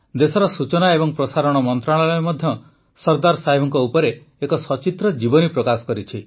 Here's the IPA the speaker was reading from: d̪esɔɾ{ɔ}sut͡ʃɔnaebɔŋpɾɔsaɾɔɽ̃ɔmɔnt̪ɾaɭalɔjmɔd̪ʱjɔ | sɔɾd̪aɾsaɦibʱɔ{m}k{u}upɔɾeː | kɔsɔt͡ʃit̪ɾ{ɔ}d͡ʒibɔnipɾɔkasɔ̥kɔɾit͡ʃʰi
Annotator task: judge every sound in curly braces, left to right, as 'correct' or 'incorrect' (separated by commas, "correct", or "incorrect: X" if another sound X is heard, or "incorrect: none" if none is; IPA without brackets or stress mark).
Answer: correct, incorrect: ŋ, incorrect: ɔ, correct